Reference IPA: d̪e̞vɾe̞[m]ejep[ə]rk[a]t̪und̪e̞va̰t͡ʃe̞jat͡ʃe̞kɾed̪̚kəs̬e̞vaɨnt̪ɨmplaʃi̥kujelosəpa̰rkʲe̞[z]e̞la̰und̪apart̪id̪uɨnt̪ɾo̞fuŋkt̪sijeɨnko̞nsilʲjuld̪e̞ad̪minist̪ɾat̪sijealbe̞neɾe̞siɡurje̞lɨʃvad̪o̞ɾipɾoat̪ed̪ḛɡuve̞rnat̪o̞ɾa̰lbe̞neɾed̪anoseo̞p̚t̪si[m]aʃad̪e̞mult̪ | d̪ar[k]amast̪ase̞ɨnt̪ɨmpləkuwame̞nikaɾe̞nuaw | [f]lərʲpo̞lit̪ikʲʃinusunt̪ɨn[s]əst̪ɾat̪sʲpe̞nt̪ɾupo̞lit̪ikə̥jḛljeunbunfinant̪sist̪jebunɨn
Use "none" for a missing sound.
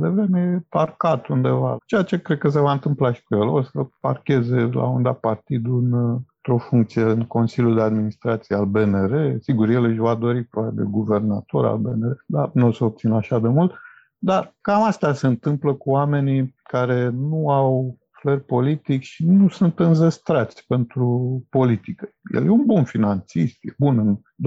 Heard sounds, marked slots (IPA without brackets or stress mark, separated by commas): m, a, a, z, n, k, f, z